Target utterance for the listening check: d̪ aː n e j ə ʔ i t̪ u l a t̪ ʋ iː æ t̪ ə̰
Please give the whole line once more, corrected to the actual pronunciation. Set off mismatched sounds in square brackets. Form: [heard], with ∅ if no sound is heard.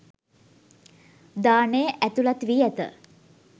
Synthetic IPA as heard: d̪ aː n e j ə ʔ [æ] t̪ u l a t̪ ʋ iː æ t̪ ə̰